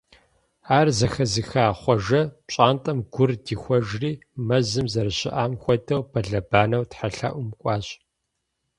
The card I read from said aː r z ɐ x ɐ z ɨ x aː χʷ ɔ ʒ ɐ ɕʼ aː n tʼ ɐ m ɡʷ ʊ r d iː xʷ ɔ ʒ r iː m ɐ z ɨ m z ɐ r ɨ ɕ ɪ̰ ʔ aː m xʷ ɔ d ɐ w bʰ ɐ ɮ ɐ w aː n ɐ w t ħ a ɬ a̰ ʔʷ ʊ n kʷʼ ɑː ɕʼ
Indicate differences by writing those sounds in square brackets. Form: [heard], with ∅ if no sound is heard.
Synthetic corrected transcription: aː r z ɐ x ɐ z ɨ x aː χʷ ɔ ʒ ɐ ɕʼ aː n tʼ ɐ m ɡʷ ʊ r d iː xʷ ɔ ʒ r iː m ɐ z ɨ m z ɐ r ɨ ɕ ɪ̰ ʔ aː m xʷ ɔ d ɐ w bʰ ɐ ɮ ɐ [b] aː n ɐ w t ħ a ɬ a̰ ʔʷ ʊ [m] kʷʼ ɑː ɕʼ